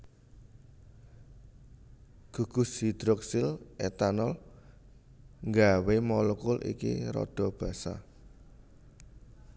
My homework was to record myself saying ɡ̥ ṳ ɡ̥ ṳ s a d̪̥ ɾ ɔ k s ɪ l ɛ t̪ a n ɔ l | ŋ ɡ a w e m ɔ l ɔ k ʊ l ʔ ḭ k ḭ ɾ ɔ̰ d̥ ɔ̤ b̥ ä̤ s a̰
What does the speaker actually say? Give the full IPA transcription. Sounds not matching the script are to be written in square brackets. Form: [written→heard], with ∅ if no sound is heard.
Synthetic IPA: ɡ̥ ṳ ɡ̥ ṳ s [a→i] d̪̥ ɾ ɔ k s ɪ l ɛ t̪ a n ɔ l | ŋ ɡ a w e m ɔ l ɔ k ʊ l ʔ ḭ k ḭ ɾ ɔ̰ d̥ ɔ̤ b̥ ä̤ s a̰